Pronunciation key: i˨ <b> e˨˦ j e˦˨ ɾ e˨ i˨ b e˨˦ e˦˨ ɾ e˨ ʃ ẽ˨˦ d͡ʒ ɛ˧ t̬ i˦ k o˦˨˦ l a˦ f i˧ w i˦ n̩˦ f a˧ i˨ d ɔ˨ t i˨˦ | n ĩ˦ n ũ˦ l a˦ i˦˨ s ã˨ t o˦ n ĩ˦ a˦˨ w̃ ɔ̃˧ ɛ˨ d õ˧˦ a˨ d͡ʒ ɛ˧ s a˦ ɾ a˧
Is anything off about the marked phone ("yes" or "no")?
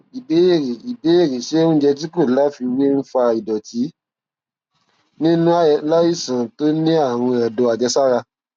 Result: no